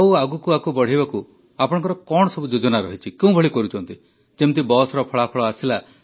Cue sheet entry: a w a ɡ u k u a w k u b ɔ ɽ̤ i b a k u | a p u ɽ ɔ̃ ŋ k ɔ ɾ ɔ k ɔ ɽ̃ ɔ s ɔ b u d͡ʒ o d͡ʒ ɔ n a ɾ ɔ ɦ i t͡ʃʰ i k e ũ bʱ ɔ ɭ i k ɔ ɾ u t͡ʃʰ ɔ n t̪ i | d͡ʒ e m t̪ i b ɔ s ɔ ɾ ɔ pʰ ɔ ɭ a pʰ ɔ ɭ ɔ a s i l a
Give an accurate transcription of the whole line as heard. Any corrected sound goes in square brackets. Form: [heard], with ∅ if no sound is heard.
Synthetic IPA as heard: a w a ɡ u k u a [∅] k u b ɔ ɽ̤ i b a k u | a p [ɔ] ɽ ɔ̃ ŋ k ɔ ɾ ɔ k ɔ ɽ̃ ɔ s ɔ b u d͡ʒ o d͡ʒ ɔ n a ɾ ɔ ɦ i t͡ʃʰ i k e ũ bʱ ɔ ɭ i k ɔ ɾ u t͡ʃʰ ɔ n t̪ i | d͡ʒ e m t̪ i b ɔ s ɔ ɾ ɔ pʰ ɔ ɭ a pʰ ɔ ɭ ɔ a s i l a